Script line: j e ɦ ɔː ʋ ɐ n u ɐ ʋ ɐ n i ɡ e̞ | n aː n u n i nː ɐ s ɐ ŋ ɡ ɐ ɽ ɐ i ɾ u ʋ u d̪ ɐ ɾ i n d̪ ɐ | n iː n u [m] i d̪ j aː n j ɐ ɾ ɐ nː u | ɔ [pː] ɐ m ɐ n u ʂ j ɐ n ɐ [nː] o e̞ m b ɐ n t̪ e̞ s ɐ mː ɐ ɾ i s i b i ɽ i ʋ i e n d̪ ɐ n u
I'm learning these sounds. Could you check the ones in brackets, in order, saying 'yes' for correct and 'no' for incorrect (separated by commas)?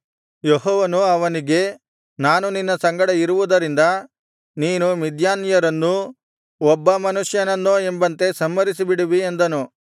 yes, no, yes